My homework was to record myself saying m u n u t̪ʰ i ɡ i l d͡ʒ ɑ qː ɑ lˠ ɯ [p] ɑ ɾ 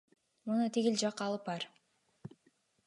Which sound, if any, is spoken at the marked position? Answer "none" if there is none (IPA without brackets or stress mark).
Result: p